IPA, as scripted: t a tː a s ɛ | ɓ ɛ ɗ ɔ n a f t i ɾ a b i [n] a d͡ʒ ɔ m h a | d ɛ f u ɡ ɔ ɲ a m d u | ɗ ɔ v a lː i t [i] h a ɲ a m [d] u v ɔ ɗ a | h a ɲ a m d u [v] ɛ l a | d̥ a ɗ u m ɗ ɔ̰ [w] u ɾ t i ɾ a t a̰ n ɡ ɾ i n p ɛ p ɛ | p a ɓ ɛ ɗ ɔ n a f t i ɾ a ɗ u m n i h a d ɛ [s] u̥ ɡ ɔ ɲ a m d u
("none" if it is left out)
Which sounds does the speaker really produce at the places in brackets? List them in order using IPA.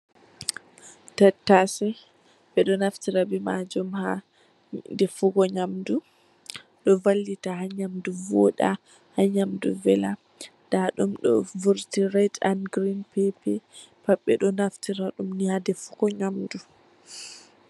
m, a, d, v, v, f

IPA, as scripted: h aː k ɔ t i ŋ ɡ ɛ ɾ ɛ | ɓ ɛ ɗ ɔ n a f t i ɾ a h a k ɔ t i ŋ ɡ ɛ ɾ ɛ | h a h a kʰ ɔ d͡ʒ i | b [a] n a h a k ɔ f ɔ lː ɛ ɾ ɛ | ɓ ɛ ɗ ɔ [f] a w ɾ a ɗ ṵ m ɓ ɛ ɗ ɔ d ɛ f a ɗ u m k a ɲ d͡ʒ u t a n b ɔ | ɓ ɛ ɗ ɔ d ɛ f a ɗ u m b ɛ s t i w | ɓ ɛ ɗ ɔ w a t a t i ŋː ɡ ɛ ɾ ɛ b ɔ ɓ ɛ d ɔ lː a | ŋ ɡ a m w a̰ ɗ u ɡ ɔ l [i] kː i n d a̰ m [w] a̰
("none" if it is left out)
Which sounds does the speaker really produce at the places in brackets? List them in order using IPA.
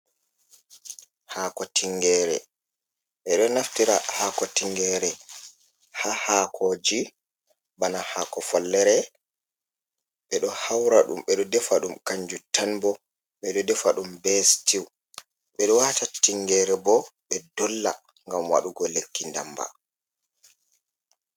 a, h, e, b

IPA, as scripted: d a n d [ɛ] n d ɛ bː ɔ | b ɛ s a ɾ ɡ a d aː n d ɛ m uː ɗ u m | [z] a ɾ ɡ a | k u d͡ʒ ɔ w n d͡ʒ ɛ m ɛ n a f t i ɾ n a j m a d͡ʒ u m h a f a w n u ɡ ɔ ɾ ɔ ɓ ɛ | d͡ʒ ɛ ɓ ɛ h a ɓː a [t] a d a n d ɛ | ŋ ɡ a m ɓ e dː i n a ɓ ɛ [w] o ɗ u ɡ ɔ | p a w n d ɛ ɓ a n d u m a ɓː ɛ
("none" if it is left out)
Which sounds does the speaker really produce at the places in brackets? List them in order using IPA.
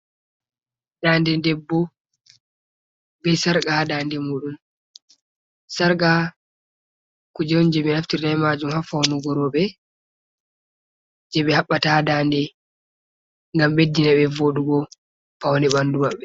ɛ, s, t, v

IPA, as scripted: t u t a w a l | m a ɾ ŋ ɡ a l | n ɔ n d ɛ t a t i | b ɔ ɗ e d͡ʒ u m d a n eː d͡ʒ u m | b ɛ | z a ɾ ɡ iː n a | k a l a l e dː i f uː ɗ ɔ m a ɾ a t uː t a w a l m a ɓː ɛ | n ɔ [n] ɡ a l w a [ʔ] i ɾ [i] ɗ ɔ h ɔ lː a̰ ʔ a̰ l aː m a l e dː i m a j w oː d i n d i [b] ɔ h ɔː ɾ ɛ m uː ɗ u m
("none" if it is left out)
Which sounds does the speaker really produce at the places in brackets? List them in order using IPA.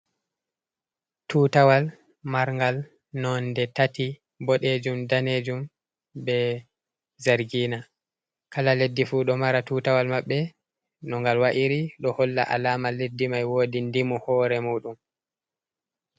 ŋ, ʔ, i, m

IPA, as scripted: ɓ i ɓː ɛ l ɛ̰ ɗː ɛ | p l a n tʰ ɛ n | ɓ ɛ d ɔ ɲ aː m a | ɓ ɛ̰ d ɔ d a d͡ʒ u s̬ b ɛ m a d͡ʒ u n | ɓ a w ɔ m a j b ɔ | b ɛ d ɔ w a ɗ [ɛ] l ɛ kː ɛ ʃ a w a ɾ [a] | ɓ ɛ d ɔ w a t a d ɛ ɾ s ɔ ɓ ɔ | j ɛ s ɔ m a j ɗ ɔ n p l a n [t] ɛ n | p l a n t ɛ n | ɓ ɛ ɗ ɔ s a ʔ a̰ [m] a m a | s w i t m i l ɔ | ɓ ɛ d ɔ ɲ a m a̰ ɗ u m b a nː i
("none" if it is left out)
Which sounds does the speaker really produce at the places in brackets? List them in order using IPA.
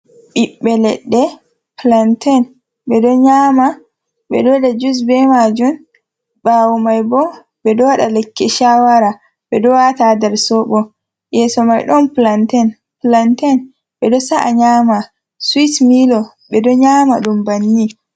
a, a, t, ɲ

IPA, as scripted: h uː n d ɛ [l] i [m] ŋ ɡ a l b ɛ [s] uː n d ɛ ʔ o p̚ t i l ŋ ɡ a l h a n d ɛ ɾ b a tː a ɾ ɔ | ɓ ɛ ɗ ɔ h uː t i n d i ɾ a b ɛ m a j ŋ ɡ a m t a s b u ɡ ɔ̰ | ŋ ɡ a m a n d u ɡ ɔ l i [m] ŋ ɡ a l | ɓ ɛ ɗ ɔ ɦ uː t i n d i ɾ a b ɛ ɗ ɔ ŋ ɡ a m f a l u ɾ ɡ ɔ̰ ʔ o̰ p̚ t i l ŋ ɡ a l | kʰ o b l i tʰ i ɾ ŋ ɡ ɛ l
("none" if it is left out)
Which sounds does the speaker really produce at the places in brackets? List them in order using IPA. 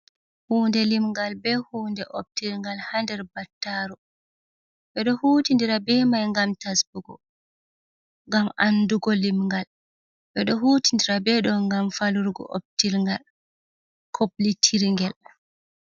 l, m, h, m

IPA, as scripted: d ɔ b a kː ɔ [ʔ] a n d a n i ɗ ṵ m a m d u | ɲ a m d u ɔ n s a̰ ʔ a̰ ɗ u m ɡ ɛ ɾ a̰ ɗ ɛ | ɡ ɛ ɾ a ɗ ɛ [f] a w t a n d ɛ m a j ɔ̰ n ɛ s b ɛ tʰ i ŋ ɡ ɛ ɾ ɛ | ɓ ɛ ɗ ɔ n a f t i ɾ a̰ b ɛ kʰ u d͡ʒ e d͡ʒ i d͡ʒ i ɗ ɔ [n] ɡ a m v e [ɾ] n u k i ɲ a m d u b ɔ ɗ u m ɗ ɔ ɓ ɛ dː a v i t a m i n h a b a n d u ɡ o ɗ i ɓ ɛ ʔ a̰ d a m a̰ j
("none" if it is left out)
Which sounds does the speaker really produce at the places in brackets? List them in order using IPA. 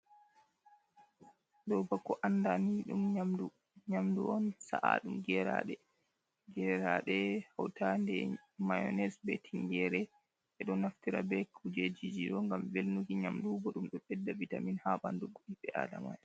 ʔ, h, ŋ, l

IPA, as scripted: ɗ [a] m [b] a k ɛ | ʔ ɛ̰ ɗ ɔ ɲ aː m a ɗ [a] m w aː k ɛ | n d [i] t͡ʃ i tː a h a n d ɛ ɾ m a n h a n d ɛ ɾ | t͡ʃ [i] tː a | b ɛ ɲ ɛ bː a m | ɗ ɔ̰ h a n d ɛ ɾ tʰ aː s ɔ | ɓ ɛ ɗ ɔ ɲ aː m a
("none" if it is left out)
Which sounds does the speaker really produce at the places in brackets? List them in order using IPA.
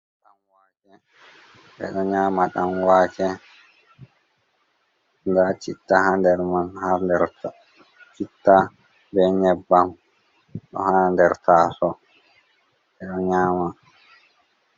a, w, a, a, i

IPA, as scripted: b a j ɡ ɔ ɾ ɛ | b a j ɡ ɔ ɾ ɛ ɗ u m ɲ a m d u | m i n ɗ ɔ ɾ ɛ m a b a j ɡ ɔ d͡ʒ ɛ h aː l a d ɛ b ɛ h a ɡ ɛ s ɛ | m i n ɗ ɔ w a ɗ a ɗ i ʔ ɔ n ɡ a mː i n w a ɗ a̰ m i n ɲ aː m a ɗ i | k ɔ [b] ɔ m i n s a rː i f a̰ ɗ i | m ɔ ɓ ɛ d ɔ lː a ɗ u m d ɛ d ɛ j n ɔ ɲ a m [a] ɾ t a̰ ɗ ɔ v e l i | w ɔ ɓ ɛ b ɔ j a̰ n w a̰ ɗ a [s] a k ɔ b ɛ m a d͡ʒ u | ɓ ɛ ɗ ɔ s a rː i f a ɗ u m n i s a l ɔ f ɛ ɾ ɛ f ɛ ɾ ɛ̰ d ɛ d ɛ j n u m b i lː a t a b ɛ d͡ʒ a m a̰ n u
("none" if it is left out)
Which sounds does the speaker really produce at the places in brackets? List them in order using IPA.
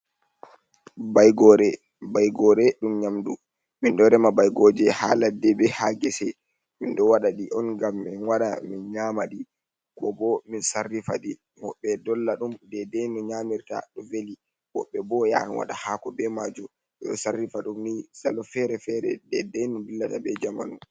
b, i, h

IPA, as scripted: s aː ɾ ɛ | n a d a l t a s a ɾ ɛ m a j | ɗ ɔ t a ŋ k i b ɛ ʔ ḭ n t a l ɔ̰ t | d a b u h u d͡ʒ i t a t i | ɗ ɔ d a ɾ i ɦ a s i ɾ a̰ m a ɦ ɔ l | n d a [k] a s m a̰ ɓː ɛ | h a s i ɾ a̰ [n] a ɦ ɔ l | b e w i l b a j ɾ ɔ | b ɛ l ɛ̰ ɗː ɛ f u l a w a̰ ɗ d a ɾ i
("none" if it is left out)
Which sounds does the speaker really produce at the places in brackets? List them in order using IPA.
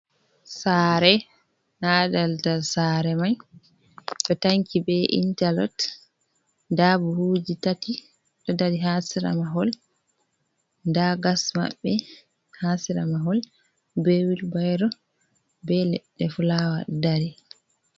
ɡ, m

